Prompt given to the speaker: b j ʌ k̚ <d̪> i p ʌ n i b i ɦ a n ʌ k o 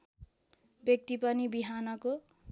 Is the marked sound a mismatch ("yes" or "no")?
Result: yes